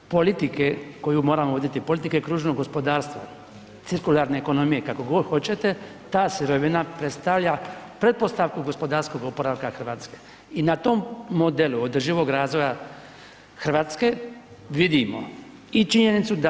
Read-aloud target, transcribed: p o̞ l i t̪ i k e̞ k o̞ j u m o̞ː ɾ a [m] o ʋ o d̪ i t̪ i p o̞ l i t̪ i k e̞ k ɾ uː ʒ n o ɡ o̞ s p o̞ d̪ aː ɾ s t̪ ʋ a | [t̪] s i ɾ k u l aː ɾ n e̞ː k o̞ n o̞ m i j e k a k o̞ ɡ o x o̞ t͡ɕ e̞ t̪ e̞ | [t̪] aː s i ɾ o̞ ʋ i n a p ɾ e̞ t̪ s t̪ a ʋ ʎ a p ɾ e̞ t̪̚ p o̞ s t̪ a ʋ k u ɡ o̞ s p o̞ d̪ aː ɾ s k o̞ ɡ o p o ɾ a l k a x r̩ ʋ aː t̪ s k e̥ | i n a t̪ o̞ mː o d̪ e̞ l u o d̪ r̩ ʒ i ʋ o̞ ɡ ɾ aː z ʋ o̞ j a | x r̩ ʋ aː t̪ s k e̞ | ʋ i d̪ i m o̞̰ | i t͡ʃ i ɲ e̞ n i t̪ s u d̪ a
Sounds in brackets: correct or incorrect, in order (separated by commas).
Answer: correct, correct, correct